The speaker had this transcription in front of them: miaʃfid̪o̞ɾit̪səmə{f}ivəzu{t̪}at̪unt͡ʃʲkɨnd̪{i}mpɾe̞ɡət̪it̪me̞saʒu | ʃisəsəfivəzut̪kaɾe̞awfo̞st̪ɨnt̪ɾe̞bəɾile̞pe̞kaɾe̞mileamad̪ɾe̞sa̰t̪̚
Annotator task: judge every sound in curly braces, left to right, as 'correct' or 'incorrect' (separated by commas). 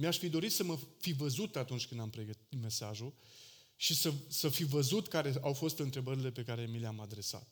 correct, correct, incorrect